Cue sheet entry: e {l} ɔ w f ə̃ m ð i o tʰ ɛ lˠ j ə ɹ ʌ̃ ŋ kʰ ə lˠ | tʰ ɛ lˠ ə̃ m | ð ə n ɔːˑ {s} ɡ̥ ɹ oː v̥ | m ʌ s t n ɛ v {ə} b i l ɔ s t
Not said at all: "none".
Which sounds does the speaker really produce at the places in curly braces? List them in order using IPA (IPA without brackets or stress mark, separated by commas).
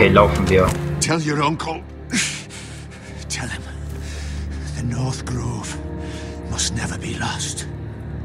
l, θ, ə